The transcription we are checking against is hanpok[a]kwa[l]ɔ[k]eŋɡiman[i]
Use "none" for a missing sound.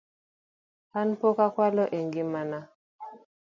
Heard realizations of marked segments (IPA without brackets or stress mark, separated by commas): a, l, ʔ, a